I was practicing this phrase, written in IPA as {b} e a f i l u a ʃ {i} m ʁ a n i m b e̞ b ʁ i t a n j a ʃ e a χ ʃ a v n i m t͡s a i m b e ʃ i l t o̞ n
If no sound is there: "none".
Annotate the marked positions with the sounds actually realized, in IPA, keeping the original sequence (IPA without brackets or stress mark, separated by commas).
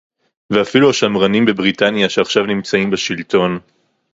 v, a